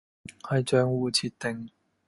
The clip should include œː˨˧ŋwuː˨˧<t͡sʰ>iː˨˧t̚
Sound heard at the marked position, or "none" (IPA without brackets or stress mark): t͡sʰ